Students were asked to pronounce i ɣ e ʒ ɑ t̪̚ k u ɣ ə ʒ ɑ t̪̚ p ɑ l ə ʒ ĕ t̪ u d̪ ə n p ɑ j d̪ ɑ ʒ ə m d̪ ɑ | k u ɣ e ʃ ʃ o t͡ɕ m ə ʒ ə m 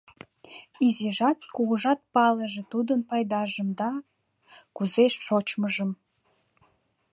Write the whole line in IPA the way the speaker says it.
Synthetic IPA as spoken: i z e ʒ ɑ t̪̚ k u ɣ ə ʒ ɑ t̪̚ p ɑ l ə ʒ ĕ t̪ u d̪ ə n p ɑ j d̪ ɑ ʒ ə m d̪ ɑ | k u z e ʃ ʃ o t͡ɕ m ə ʒ ə m